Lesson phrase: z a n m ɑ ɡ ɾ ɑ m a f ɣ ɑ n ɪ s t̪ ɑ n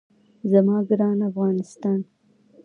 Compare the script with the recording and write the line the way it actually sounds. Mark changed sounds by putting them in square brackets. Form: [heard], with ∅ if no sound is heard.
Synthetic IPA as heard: z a [∅] m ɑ ɡ ɾ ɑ [n] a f ɣ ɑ n ɪ s t̪ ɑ n